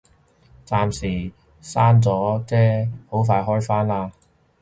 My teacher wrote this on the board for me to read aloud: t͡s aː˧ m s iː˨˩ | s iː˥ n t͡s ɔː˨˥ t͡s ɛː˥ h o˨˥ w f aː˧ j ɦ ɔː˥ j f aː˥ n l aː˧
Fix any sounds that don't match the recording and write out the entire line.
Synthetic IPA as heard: t͡s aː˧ m s iː˨˩ | s aː˥ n t͡s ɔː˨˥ t͡s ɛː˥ h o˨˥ w f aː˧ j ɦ ɔː˥ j f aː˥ n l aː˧